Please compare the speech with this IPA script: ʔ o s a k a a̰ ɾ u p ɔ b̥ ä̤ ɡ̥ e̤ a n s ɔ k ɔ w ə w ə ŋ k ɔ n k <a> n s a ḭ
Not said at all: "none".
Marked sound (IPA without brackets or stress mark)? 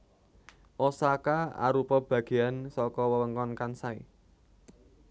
a